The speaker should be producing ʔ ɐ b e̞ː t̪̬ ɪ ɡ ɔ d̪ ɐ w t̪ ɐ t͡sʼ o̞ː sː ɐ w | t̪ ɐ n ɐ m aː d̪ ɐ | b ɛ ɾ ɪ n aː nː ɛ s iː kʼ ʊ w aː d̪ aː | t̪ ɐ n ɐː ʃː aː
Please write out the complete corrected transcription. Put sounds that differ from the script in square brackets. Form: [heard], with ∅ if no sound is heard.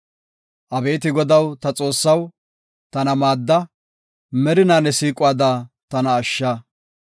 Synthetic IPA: ʔ ɐ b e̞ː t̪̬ ɪ ɡ ɔ d̪ ɐ w t̪ ɐ t͡sʼ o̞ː sː ɐ w | t̪ ɐ n ɐ m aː [d̪ː] ɐ | [m] ɛ ɾ ɪ n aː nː ɛ s iː kʼ ʊ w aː d̪ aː | t̪ ɐ n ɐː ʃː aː